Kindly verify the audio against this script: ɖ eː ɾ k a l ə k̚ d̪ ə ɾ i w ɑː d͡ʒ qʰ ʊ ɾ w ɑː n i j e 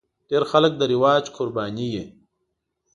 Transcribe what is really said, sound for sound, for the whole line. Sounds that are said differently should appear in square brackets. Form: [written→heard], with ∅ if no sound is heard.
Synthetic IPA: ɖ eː ɾ [k→x] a l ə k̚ d̪ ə ɾ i w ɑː d͡ʒ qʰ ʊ ɾ [w→b] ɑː n i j e